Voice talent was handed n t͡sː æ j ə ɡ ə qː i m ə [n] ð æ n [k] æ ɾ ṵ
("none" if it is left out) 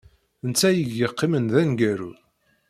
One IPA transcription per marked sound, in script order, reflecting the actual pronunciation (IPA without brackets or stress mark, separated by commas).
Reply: n, ɡ